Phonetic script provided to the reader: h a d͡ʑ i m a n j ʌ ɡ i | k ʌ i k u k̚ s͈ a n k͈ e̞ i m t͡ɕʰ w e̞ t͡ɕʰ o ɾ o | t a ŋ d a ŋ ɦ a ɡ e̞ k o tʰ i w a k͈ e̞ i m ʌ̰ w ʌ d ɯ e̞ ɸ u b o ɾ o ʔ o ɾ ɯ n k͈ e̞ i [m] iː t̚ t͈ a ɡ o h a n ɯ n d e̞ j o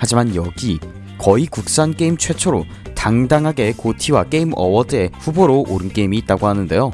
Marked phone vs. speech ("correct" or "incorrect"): correct